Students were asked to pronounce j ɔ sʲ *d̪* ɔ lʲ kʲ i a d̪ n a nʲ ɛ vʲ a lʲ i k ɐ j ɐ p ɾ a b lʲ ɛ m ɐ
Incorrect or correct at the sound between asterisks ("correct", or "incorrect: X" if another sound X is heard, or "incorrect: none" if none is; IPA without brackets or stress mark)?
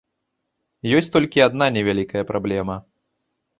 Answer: incorrect: t̪